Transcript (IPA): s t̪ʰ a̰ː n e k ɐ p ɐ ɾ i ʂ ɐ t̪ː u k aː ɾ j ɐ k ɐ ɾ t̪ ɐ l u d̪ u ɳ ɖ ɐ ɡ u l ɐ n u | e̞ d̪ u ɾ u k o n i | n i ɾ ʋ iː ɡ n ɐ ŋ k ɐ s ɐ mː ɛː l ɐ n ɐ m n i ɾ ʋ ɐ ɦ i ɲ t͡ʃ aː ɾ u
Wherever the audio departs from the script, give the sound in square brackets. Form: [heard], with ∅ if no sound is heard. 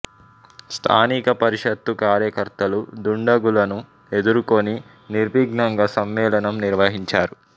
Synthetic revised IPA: s t̪ʰ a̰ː n [i] k ɐ p ɐ ɾ i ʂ ɐ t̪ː u k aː ɾ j ɐ k ɐ ɾ t̪ ɐ l u d̪ u ɳ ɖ ɐ ɡ u l ɐ n u | e̞ d̪ u ɾ u k o n i | n i ɾ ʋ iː ɡ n ɐ ŋ [ɡ] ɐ s ɐ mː ɛː l ɐ n ɐ m n i ɾ ʋ ɐ ɦ i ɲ t͡ʃ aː ɾ u